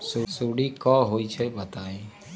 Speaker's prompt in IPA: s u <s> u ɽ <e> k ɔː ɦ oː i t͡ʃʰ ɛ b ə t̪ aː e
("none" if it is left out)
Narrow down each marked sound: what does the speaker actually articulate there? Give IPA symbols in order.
s, i

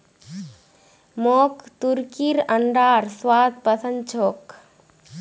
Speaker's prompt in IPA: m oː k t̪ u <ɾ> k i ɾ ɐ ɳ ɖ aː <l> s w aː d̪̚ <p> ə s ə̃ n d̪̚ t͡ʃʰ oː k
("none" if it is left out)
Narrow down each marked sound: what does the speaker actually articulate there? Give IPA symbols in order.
ɾ, ɾ, p

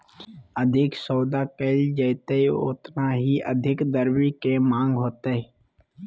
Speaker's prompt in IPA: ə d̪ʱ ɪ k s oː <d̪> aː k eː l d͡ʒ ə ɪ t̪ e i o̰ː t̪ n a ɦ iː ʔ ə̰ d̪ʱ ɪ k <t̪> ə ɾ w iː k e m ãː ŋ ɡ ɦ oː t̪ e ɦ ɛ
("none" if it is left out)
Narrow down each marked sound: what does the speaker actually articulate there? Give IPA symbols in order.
d̪, d̪

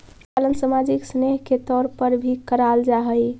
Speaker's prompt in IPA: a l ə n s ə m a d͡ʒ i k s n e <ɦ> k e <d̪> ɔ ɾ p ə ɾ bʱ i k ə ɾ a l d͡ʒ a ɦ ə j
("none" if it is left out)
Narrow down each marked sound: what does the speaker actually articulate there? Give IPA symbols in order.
ɦ, t̪

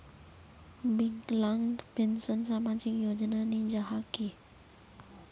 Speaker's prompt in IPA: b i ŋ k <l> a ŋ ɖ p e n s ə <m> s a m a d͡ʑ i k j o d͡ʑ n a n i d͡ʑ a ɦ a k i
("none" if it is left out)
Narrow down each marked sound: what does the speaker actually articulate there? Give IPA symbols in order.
l, n

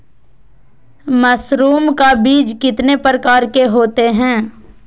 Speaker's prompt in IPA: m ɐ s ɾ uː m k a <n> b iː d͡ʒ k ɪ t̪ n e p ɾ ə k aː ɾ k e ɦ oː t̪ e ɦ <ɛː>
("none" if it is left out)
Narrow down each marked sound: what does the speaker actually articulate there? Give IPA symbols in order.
none, ɛ̃ː

